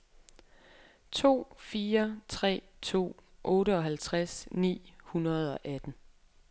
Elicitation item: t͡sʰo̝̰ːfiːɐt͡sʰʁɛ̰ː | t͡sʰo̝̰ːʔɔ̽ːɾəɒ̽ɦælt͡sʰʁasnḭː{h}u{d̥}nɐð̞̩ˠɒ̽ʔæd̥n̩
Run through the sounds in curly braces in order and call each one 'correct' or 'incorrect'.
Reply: correct, incorrect: none

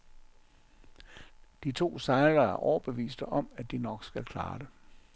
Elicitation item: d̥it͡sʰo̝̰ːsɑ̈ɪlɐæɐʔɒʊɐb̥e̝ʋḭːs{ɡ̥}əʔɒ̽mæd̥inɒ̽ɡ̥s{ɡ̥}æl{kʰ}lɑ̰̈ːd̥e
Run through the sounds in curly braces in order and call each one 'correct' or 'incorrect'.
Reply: incorrect: d̥, correct, correct

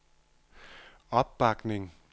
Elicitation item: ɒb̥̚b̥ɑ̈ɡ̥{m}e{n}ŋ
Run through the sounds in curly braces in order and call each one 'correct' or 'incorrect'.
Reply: incorrect: n, incorrect: none

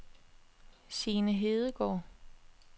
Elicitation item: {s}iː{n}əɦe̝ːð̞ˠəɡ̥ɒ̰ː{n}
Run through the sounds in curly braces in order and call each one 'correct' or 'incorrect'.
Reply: correct, correct, incorrect: none

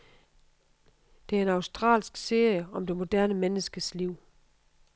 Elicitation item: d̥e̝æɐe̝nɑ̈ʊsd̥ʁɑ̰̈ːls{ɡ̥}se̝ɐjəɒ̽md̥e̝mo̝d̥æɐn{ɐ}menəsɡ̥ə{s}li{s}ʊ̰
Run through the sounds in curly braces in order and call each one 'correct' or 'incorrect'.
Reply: correct, incorrect: ə, correct, incorrect: none

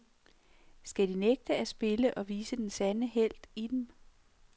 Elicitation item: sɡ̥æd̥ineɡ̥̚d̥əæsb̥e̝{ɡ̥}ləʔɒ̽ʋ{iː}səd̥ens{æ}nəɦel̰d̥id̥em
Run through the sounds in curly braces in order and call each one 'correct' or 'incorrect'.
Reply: incorrect: none, correct, correct

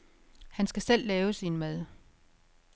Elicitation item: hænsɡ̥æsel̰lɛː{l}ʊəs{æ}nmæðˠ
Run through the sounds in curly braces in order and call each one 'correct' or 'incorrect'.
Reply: incorrect: none, incorrect: i

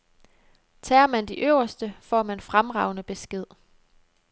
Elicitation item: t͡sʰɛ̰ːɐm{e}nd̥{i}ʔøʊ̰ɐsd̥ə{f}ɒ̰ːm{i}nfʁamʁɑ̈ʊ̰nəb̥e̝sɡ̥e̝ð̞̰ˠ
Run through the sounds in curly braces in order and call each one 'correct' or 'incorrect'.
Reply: incorrect: æ, correct, correct, incorrect: æ

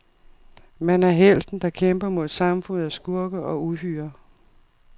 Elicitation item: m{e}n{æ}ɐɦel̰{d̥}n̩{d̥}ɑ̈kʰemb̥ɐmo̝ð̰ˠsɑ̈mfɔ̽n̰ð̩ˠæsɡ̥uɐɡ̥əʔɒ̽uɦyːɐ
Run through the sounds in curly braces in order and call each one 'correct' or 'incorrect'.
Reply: incorrect: æ, correct, correct, correct

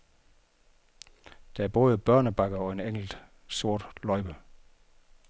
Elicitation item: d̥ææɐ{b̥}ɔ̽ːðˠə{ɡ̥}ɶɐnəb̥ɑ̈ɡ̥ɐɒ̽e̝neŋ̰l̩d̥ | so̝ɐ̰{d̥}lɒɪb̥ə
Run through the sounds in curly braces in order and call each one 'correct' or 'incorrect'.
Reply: correct, incorrect: b̥, correct

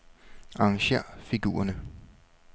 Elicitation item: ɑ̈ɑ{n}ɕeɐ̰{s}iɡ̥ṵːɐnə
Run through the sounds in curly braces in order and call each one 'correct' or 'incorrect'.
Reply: incorrect: ŋ, incorrect: f

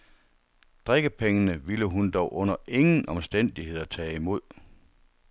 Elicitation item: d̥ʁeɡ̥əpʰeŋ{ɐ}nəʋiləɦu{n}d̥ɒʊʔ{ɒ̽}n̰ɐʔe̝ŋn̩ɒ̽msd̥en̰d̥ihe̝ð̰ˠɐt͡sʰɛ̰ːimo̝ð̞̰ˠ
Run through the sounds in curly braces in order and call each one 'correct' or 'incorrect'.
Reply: incorrect: ə, correct, incorrect: ɔ̽

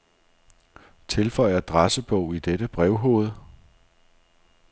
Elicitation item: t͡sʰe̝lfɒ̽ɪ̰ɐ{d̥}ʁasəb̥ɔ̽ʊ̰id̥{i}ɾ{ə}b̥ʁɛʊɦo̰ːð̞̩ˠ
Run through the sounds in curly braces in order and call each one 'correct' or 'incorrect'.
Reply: correct, incorrect: e, correct

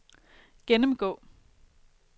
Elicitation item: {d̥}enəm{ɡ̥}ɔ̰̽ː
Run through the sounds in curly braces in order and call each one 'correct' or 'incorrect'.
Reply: incorrect: ɡ̥, correct

